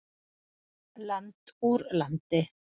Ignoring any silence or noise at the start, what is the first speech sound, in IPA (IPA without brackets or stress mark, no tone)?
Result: l